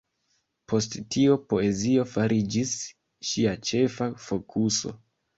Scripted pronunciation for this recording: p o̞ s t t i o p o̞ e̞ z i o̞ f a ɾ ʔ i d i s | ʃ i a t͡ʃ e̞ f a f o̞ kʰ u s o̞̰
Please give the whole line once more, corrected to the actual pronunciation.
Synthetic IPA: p o̞ s t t i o p o̞ e̞ z i o̞ f a ɾ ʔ i d͡ʒ i s | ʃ i a t͡ʃ e̞ f a f o̞ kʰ u s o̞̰